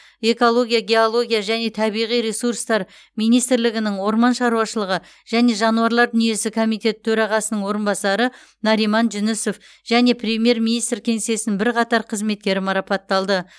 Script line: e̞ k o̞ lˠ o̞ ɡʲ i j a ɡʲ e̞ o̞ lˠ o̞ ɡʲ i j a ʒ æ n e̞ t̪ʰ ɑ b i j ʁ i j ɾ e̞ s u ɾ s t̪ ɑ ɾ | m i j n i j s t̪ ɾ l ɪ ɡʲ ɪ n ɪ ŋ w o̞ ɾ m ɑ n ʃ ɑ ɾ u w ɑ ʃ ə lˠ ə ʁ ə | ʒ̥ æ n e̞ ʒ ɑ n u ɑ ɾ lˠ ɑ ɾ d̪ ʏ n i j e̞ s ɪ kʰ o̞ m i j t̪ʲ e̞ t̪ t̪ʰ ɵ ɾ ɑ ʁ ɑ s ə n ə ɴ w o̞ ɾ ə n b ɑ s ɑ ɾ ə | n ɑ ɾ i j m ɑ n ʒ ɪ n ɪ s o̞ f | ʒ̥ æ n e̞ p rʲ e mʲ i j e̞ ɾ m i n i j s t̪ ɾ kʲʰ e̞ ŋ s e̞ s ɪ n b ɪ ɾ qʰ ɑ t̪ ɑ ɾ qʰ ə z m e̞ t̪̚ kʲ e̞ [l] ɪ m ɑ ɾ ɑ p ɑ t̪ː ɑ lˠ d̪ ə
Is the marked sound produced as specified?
no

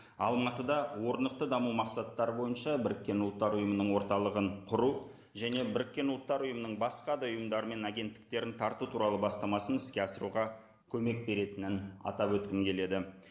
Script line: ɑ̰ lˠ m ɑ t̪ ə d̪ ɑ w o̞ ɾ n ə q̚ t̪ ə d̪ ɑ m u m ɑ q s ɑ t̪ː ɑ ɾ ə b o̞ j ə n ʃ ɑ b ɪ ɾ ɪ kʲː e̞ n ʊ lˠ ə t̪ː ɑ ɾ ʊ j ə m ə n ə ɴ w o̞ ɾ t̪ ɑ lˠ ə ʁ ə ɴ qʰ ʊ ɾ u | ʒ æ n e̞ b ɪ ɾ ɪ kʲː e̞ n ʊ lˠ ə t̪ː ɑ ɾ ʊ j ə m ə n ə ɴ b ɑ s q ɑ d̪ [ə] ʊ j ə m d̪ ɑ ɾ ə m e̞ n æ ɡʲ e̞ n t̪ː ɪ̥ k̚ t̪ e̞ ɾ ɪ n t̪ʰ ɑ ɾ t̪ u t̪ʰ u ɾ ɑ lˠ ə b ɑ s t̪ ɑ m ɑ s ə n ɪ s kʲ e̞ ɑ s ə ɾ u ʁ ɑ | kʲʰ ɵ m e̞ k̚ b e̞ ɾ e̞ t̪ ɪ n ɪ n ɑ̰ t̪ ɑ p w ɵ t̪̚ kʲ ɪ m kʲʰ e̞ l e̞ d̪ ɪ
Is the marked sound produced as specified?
no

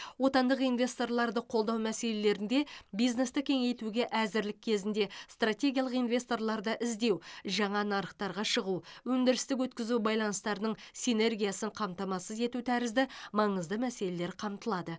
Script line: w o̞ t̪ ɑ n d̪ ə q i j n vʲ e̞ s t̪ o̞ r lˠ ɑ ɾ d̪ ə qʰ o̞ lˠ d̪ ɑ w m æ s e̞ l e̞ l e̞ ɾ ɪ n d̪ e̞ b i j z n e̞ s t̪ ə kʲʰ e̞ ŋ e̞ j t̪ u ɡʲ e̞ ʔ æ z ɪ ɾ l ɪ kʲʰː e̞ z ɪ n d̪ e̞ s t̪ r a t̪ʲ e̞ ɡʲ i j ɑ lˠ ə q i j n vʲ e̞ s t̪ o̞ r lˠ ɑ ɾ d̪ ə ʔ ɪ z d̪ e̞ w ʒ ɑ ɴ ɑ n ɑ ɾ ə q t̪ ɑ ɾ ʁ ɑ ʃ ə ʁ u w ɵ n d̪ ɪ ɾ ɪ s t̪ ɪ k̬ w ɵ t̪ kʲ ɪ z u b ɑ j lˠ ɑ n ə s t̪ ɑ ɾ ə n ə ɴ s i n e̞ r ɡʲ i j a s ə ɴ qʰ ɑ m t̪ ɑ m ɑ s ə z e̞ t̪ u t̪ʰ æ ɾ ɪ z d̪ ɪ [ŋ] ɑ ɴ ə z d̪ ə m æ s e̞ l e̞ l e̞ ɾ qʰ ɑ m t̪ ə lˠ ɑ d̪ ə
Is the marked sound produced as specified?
no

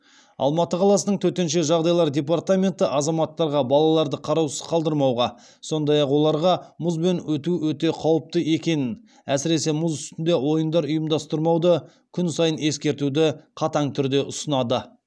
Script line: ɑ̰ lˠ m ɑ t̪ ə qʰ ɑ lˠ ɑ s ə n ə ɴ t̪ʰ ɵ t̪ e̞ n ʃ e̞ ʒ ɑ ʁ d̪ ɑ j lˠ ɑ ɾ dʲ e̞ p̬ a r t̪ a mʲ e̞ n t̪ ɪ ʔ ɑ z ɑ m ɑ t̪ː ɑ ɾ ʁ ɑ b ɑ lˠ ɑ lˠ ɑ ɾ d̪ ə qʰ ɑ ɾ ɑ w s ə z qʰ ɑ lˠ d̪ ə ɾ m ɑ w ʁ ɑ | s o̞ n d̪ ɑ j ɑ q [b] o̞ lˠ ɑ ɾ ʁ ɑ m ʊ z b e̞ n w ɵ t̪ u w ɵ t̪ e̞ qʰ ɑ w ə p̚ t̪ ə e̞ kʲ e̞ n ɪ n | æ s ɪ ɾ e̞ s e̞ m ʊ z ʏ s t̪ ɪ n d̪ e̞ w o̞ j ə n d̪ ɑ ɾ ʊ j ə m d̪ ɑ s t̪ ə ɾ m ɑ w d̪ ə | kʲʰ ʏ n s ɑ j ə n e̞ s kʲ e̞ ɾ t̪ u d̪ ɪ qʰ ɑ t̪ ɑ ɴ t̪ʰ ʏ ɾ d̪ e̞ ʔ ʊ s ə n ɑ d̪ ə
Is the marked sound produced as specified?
no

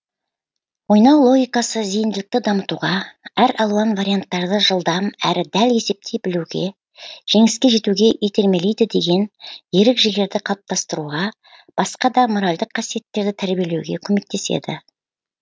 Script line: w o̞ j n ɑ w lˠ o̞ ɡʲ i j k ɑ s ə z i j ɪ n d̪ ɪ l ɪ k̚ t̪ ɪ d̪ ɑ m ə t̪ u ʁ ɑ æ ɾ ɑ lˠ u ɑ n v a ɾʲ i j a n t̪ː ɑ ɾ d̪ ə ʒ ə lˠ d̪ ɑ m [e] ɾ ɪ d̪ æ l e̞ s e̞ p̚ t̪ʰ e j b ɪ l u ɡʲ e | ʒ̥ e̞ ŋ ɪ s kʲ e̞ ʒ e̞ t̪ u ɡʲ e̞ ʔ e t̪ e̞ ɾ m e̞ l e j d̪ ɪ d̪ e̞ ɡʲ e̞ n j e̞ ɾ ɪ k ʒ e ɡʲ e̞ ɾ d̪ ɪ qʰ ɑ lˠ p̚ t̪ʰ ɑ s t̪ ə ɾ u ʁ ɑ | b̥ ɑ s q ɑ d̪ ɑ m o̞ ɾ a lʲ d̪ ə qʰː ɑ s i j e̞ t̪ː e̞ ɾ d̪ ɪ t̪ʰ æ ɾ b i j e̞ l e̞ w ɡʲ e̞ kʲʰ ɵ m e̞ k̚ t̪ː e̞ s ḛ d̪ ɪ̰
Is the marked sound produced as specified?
no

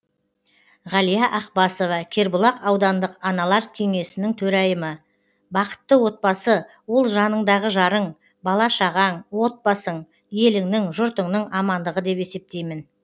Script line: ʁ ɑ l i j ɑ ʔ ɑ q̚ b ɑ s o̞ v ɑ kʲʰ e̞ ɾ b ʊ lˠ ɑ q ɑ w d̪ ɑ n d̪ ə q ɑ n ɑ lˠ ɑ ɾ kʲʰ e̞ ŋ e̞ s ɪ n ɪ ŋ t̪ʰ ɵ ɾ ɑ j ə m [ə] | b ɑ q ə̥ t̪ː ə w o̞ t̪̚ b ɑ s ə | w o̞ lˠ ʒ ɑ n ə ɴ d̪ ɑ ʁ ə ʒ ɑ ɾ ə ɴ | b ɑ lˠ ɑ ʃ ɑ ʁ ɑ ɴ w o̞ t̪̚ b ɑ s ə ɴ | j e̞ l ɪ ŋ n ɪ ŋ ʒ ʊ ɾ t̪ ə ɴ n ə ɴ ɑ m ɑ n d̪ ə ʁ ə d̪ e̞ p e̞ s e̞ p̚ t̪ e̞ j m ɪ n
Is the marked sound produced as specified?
yes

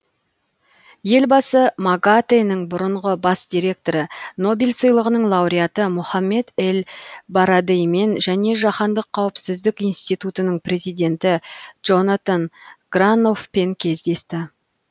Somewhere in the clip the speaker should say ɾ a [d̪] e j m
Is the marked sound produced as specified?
yes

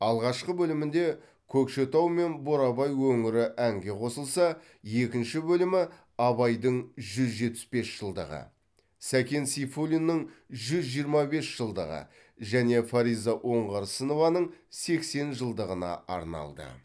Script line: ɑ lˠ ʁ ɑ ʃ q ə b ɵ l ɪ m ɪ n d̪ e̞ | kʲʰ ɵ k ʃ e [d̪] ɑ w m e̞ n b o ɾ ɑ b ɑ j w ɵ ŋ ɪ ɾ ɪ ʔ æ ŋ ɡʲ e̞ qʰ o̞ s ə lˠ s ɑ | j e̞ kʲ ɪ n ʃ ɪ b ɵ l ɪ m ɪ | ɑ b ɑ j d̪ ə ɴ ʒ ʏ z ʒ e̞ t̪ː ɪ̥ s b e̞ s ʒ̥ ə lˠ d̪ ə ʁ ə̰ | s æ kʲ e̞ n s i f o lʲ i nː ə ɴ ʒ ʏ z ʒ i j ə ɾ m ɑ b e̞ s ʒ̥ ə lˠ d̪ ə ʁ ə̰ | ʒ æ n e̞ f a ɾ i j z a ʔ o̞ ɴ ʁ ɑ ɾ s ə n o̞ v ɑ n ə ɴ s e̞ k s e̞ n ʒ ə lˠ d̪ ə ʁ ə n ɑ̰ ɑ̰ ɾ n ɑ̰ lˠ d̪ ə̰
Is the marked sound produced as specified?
no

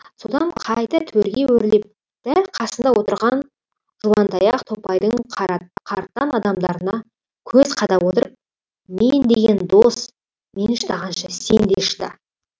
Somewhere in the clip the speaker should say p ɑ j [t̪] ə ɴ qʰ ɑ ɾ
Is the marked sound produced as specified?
no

